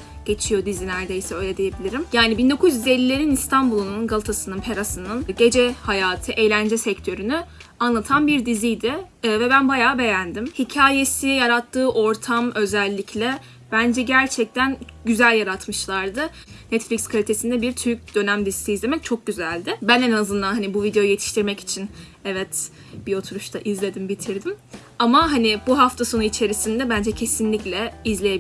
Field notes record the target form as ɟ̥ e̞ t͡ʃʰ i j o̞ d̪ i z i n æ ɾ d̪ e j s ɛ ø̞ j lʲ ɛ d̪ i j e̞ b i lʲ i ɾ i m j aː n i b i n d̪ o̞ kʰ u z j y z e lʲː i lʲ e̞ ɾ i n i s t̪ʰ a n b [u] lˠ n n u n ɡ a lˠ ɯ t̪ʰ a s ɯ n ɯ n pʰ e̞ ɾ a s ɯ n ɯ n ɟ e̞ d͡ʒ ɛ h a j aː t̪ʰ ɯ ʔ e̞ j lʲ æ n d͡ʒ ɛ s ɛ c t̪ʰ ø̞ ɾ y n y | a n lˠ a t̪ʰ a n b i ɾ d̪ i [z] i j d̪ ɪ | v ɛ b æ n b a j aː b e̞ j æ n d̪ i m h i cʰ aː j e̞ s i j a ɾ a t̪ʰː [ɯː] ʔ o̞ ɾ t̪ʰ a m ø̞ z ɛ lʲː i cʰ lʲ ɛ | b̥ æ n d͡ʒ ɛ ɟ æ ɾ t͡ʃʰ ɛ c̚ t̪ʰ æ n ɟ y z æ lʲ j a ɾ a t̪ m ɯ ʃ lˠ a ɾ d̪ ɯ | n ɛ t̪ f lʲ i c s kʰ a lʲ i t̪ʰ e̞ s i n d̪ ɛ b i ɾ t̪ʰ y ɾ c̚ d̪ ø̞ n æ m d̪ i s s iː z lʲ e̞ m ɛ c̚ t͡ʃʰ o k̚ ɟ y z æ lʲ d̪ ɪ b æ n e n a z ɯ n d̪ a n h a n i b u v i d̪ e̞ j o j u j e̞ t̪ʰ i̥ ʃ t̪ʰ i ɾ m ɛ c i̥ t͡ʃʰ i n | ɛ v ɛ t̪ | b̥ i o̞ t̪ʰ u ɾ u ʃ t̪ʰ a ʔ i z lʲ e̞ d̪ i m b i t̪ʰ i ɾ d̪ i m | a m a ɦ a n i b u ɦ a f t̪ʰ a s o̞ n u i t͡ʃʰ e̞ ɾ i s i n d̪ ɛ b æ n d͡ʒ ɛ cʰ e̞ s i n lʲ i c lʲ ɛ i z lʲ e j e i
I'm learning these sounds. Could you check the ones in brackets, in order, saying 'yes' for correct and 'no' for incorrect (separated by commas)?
yes, yes, yes